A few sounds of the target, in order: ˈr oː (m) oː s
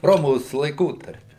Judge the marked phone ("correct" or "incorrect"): correct